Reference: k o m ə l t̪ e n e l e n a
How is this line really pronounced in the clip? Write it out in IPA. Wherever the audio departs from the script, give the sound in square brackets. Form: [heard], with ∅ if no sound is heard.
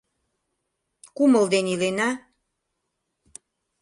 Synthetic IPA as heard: k [u] m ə l [d̪] e n [i] l e n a